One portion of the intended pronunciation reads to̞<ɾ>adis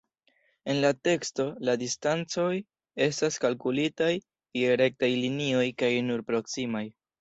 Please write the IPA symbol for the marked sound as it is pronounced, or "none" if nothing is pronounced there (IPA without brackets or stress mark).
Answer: l